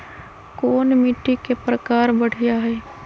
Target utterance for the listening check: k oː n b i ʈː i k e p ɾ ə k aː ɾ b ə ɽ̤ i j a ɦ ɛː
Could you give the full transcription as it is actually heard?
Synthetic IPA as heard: k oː n m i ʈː i k e p ɾ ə k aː ɾ b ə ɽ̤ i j a ɦ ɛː